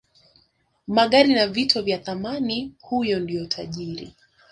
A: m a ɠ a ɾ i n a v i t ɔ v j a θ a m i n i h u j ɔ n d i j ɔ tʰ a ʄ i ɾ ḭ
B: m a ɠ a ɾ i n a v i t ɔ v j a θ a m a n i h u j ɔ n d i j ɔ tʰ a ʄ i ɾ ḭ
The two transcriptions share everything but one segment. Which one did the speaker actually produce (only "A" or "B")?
B